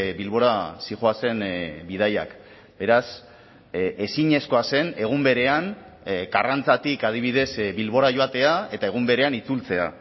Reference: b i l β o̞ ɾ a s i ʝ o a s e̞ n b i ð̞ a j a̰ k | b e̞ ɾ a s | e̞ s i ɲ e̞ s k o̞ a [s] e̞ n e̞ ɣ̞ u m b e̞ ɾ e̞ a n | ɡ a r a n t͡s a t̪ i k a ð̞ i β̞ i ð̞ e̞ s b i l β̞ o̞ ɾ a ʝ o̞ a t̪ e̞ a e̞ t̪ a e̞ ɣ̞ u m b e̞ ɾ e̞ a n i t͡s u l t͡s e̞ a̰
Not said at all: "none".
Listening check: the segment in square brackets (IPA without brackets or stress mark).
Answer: s